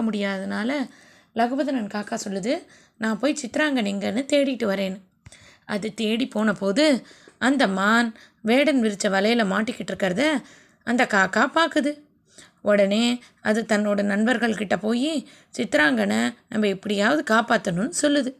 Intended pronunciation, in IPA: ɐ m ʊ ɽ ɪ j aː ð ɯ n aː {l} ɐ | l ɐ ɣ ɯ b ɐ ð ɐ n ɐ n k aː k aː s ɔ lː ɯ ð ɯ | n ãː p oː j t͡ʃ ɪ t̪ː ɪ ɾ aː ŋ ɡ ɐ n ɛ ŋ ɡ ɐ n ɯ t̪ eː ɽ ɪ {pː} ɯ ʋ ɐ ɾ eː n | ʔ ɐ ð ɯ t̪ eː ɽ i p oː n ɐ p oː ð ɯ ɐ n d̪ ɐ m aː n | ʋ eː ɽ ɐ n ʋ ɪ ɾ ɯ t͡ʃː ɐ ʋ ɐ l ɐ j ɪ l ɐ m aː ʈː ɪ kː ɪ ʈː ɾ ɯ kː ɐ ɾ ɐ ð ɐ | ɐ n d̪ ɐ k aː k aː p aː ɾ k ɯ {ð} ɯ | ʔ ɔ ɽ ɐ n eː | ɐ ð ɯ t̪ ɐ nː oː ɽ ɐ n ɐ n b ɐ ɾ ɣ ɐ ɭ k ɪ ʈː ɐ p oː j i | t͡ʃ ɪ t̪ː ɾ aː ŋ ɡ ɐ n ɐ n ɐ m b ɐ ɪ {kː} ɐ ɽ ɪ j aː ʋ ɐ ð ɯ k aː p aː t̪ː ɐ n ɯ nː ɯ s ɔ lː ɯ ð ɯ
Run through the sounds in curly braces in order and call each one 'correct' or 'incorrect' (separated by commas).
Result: correct, incorrect, correct, incorrect